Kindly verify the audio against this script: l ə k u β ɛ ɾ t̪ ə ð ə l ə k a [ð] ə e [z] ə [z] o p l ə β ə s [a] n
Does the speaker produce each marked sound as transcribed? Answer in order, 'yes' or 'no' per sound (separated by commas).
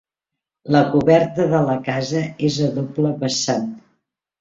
no, yes, no, yes